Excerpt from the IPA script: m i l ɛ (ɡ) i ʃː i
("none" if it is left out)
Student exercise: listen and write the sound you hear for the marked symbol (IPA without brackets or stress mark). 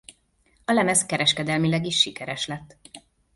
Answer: ɡ